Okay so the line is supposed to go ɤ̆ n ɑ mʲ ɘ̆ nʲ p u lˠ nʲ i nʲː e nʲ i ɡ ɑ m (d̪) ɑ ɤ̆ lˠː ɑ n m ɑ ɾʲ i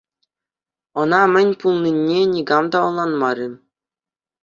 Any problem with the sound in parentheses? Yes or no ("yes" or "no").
no